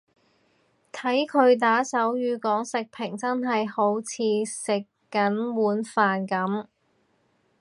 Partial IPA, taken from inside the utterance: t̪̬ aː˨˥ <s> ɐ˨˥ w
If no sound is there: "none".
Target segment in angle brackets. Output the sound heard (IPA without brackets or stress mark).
s